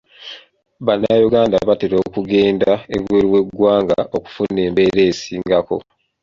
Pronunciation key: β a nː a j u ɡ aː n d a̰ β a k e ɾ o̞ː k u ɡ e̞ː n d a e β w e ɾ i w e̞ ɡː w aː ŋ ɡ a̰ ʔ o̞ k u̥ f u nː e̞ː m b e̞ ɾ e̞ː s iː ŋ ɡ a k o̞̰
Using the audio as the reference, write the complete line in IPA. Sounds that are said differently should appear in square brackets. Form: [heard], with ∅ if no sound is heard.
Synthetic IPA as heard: β a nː a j u ɡ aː n d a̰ β a [t] e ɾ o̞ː k u ɡ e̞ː n d a e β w e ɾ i w e̞ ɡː w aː ŋ ɡ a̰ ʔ o̞ k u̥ f u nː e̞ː m b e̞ ɾ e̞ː s iː ŋ ɡ a k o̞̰